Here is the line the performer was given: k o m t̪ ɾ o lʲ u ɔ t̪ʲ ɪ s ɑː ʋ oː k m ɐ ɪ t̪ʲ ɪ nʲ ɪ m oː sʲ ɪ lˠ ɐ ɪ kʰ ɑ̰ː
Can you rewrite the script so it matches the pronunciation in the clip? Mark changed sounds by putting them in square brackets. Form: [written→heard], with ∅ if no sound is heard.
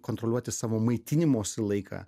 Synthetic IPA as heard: k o [m→n] t̪ ɾ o lʲ u ɔ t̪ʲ ɪ s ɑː ʋ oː [k→∅] m ɐ ɪ t̪ʲ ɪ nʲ ɪ m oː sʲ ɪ lˠ ɐ ɪ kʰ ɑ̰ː